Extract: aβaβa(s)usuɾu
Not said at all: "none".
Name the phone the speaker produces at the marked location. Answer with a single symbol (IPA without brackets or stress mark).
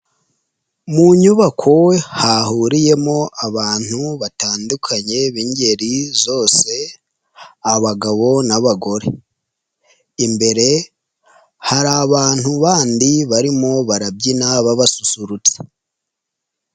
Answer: s